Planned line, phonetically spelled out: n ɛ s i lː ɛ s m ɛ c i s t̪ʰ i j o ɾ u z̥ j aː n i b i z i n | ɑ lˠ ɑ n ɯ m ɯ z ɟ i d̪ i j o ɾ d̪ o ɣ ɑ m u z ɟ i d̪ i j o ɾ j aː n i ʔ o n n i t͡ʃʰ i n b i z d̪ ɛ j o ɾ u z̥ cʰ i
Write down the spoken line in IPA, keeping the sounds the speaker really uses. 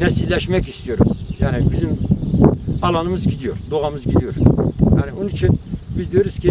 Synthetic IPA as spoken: n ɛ s i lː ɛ ʃ m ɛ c i s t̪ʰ i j o ɾ u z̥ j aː n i b i z i m | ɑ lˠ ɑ n ɯ m ɯ z ɟ i d̪ i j o ɾ d̪ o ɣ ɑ m ɯ z ɟ i d̪ i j o ɾ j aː n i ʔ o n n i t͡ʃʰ i n b i z d̪ i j o ɾ u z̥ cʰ i